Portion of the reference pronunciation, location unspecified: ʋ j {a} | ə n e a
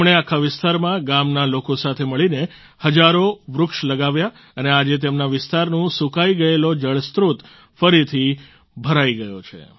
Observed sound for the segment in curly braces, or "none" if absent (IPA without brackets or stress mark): a